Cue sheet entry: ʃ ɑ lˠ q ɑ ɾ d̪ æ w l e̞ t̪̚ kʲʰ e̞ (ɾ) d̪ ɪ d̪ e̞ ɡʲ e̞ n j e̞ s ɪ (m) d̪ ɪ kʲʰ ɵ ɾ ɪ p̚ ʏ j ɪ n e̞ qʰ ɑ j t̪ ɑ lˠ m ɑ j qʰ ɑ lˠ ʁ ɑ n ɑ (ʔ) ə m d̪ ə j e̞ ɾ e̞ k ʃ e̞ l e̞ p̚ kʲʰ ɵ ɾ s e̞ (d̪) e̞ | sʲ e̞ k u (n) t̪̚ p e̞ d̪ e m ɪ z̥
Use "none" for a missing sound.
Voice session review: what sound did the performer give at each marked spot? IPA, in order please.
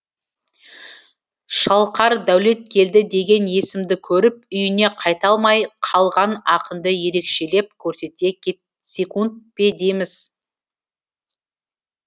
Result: l, m, q, t̪, n

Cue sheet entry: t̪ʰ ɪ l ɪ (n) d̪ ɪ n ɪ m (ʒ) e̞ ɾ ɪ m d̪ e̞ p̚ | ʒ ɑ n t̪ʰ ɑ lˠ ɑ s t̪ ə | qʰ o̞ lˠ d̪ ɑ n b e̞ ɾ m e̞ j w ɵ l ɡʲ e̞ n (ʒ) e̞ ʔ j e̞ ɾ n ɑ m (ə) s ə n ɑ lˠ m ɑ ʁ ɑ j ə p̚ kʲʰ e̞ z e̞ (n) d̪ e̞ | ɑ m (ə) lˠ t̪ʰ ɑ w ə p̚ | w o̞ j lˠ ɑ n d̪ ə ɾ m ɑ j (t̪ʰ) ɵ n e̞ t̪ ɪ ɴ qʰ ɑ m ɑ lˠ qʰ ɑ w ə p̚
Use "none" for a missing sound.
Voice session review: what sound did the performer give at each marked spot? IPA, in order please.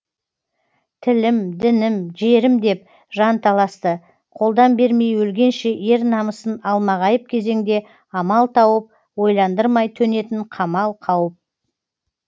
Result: m, ʒ, ʃ, ə, ŋ, ɑ, t̪ʰ

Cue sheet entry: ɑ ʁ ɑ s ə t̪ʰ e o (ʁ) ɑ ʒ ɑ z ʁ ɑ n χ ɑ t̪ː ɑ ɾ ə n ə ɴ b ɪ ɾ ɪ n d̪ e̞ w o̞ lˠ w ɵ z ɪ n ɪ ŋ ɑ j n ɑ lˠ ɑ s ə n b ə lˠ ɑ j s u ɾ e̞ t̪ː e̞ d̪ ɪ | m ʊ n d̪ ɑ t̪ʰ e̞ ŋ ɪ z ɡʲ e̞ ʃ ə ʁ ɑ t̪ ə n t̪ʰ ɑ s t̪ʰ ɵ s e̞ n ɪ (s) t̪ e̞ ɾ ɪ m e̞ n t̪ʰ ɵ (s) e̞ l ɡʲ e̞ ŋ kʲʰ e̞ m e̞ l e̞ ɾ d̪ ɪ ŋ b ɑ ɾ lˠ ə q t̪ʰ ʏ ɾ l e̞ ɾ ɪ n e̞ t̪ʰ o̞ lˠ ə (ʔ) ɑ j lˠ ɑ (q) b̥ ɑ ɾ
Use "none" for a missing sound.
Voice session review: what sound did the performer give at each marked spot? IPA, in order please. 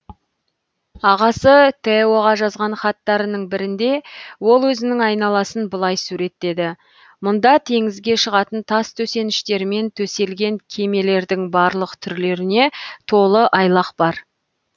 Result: ʁ, ʃ, s, ʔ, q

